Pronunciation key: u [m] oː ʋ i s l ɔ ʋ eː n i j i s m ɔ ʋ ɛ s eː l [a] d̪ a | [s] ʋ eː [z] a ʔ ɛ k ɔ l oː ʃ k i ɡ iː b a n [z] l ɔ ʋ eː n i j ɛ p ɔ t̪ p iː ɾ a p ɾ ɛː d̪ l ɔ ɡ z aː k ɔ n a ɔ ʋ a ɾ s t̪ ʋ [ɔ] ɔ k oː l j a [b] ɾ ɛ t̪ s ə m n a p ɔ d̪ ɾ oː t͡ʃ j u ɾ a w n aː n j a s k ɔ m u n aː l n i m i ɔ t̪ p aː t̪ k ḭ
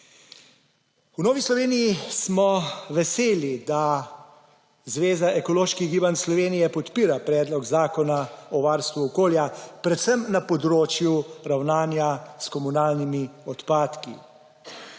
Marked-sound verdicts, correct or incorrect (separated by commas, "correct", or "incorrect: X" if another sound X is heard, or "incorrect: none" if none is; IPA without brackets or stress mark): incorrect: n, incorrect: i, incorrect: z, correct, incorrect: s, incorrect: u, incorrect: p